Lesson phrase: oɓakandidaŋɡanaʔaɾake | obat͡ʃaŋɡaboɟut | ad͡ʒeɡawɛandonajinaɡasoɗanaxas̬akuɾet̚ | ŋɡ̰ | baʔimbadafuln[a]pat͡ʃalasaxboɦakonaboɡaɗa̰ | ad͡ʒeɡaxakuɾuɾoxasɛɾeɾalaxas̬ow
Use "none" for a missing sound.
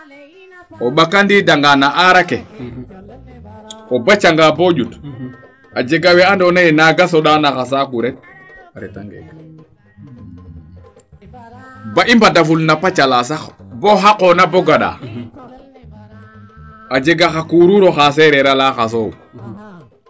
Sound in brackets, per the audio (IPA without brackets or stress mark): a